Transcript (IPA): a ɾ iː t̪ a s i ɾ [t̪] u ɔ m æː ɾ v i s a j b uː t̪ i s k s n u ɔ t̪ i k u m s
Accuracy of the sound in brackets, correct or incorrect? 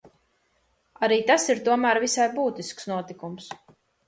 correct